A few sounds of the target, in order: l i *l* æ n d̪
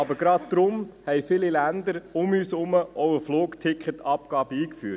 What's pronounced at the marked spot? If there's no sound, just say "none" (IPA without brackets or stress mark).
l